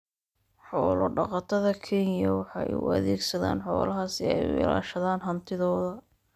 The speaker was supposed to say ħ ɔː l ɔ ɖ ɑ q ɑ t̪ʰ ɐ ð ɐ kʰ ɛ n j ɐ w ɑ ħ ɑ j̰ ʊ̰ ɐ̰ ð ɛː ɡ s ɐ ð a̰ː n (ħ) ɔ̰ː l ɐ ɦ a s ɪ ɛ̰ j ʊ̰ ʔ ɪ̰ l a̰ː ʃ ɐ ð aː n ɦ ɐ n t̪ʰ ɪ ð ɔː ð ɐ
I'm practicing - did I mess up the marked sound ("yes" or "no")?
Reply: no